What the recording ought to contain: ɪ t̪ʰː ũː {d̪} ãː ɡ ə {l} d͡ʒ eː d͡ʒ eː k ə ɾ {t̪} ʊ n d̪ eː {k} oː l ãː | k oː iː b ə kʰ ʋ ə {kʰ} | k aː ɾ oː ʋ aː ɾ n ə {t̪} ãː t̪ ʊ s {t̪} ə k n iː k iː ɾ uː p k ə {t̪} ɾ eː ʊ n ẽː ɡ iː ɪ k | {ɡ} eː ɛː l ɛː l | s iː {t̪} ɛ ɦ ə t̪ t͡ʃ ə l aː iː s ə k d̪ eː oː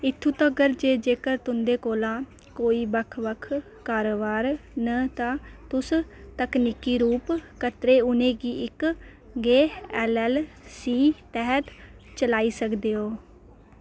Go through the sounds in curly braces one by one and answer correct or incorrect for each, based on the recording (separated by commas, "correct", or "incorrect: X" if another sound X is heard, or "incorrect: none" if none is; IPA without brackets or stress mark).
incorrect: t̪, incorrect: ɾ, correct, correct, correct, correct, correct, correct, correct, correct